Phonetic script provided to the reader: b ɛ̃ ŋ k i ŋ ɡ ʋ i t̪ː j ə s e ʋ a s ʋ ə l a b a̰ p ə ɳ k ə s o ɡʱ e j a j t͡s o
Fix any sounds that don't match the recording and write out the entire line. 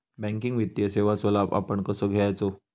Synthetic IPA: b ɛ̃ ŋ k i ŋ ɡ ʋ i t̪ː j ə s e ʋ a s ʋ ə l a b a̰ p ə ɳ k ə s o ɡʱ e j a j t͡s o